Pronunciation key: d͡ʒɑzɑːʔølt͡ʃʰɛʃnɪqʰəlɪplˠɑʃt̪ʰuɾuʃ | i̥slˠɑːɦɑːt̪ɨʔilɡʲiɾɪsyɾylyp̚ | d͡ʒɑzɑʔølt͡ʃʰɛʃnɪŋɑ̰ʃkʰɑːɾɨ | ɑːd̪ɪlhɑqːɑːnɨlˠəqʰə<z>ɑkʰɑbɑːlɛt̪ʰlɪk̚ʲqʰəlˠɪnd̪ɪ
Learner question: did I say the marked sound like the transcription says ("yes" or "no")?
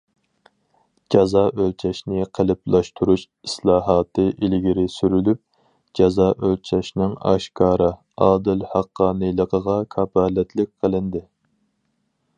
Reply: no